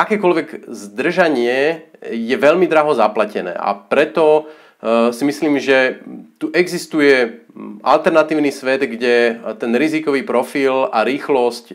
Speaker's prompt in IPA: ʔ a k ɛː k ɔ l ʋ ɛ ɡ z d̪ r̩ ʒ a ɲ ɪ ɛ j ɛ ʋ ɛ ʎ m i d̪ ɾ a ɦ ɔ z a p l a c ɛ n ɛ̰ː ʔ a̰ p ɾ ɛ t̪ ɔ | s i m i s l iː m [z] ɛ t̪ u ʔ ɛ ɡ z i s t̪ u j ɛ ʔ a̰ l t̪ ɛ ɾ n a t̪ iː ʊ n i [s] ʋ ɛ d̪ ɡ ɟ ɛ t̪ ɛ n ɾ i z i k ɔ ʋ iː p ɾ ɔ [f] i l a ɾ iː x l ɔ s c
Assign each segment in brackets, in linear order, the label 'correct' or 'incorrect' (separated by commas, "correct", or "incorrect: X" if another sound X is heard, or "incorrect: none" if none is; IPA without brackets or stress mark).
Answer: incorrect: ʒ, correct, correct